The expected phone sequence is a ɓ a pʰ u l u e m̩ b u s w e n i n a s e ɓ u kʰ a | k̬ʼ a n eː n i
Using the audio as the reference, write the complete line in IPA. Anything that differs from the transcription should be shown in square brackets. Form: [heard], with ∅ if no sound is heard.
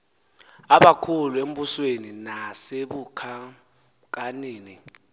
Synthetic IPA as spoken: a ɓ a [kʰ] u l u e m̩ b u s w e n i n a s e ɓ u kʰ a | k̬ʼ a n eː n i